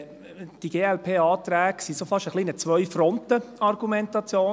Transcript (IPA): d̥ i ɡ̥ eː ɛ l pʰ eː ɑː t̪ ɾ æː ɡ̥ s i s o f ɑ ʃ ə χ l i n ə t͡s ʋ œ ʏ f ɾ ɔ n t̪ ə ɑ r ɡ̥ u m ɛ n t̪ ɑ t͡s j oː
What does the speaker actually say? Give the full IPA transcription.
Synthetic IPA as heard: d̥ i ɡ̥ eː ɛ l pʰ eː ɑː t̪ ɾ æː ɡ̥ s i s o f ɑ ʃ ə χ l i n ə t͡s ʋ œ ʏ f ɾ ɔ n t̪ ə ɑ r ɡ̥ u m ɛ n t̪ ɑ t͡s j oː